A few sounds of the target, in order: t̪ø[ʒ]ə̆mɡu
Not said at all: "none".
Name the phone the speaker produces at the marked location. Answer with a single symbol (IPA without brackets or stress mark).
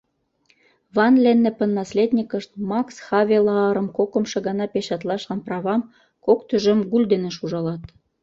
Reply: ʒ